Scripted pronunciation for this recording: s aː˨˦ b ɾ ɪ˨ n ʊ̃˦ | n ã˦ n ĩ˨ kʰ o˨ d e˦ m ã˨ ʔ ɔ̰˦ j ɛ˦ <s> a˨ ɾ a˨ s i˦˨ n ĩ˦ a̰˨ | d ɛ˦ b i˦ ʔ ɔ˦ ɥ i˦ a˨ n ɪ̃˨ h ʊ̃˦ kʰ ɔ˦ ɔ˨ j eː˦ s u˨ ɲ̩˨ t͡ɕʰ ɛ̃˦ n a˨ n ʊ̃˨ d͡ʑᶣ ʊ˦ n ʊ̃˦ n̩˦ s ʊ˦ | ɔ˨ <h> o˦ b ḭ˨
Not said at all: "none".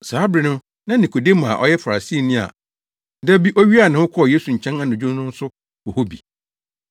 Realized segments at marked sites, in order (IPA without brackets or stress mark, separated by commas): f, h